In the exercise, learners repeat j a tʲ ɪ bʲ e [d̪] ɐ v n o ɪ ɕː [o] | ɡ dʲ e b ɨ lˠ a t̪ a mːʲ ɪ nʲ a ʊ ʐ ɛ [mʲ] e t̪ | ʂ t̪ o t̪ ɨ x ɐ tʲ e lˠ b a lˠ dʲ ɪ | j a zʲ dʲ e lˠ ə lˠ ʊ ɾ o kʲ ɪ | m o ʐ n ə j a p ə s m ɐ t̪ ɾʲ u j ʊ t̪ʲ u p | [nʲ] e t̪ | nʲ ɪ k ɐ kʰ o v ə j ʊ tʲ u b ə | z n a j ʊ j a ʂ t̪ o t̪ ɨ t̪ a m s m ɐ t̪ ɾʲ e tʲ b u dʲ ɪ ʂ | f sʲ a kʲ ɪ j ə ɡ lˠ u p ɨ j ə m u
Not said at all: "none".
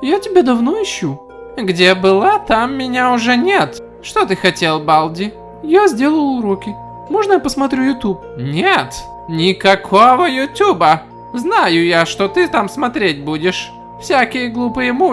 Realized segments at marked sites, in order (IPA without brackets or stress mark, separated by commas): d̪, u, nʲ, nʲ